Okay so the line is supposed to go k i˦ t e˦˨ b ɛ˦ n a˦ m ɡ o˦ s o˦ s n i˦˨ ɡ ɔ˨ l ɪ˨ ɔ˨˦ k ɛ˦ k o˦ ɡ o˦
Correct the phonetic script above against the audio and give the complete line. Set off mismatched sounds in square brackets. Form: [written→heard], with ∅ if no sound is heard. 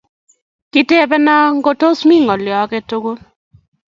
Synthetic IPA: k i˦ t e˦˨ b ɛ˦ n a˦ [m→ŋ] ɡ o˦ [s→t] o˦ s [n→m] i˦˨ [ɡ→ŋ] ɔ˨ l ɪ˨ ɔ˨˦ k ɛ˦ [k→t] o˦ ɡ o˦